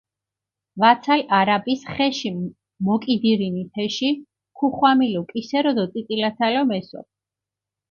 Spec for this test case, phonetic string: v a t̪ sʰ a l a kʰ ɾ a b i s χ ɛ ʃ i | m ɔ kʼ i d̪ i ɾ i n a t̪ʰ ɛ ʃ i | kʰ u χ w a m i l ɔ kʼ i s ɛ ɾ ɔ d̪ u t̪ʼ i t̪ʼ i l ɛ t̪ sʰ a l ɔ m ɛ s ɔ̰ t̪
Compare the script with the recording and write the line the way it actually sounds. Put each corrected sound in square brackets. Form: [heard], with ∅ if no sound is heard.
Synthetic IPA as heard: v a t̪ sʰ a l a [∅] ɾ a b i s χ ɛ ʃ i | m ɔ kʼ i d̪ i ɾ i n [i] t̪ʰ ɛ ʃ i | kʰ u χ w a m i l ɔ kʼ i s ɛ ɾ ɔ d̪ [ɔ] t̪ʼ i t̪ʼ i l [a] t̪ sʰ a l ɔ m ɛ s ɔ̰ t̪